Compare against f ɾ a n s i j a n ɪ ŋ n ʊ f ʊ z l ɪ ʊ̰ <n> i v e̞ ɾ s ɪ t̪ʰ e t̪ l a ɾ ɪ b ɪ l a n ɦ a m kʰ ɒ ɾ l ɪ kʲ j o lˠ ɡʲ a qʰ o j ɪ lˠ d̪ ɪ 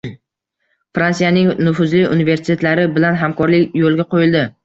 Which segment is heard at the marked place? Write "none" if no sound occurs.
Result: n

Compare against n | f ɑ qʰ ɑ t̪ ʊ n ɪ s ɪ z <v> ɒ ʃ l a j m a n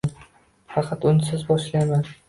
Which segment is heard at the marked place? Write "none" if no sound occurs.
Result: b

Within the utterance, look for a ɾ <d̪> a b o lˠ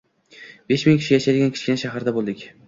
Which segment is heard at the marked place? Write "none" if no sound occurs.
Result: d̪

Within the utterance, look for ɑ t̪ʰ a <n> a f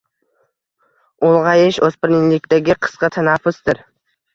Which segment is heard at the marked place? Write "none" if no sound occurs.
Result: n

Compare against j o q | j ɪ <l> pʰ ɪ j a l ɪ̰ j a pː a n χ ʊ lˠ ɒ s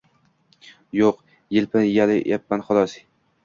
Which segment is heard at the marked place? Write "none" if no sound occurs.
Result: l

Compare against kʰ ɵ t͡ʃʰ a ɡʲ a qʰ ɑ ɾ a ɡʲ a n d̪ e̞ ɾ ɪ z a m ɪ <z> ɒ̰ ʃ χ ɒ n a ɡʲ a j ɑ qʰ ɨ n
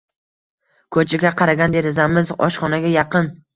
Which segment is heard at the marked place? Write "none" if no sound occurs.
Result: z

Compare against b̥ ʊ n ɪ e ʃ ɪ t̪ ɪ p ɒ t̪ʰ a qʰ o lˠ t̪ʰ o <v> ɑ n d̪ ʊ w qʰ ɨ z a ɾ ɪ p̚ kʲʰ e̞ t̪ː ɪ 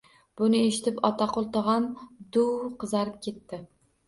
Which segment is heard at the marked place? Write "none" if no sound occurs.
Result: ʁ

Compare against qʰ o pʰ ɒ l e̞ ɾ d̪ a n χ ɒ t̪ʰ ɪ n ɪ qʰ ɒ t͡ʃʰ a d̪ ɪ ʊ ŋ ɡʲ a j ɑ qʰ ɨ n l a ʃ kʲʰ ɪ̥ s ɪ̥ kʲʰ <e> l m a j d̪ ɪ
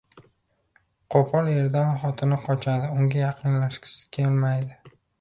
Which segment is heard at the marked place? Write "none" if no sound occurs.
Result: e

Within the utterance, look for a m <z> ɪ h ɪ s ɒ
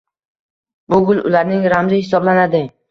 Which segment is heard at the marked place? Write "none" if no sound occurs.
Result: z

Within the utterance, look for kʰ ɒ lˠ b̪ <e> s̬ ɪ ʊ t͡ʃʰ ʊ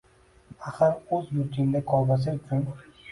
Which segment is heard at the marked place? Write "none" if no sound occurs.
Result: a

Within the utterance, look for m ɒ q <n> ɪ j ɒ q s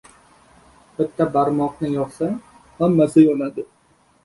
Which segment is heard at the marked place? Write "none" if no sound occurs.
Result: n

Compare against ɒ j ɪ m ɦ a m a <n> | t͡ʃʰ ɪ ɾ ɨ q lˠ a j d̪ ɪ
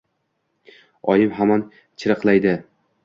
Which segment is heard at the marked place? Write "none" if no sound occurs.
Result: n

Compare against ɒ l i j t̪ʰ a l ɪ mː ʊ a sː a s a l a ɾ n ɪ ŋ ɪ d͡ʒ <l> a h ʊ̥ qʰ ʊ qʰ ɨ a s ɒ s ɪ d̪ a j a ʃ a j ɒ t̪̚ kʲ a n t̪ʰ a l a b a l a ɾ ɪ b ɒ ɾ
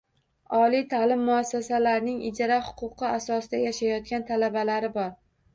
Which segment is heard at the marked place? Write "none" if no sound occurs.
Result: ɾ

